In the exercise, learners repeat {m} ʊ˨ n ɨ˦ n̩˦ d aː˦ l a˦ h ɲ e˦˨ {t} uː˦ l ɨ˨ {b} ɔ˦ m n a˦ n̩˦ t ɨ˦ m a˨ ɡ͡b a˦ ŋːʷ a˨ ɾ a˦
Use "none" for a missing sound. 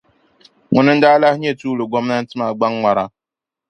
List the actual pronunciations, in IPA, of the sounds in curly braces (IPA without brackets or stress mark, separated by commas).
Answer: ŋ, t, ɡ